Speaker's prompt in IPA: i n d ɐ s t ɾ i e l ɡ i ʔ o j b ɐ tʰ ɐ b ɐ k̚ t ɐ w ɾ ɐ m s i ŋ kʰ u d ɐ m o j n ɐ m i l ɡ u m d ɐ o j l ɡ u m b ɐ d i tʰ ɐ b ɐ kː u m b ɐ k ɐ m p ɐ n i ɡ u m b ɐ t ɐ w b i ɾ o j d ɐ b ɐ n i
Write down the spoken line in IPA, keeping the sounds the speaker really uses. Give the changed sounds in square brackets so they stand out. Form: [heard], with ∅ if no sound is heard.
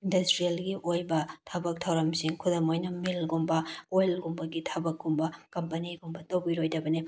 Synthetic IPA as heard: i n d ɐ s t ɾ i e l ɡ i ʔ o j b ɐ tʰ ɐ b ɐ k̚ [tʰ] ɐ w ɾ ɐ m s i ŋ kʰ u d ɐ m o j n ɐ m i l ɡ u m [b] ɐ o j l ɡ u m b ɐ [ɡ] i tʰ ɐ b ɐ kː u m b ɐ k ɐ m p ɐ n i ɡ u m b ɐ t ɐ w b i ɾ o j d ɐ b ɐ n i